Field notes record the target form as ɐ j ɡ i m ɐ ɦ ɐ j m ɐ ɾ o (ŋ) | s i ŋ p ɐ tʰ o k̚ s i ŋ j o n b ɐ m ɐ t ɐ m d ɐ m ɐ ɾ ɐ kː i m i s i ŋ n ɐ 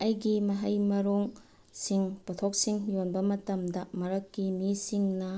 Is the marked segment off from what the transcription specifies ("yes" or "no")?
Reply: no